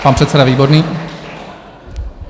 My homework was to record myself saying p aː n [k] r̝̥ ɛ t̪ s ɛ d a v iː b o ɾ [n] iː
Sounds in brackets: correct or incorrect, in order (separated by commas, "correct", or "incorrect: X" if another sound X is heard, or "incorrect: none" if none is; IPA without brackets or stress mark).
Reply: incorrect: p, correct